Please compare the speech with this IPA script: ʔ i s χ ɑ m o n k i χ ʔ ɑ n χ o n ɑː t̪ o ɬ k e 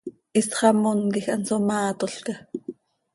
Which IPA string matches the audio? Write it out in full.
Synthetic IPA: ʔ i s χ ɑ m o n k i x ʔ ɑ n s o m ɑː t̪ o ɬ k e